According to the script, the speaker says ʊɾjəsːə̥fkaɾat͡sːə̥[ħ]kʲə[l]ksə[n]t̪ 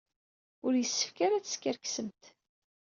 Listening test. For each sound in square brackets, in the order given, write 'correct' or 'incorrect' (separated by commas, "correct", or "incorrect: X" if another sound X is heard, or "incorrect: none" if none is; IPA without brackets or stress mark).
incorrect: s, incorrect: ɾ, incorrect: m